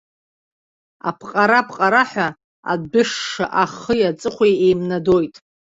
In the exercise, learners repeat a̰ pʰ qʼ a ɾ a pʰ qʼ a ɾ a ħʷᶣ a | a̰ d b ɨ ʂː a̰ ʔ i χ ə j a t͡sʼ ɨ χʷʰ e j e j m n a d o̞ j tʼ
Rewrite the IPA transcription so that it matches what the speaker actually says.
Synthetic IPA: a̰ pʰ qʼ a ɾ a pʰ qʼ a ɾ a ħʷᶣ a | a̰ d b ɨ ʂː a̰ ʔ a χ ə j a t͡sʼ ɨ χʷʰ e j e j m n a d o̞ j tʼ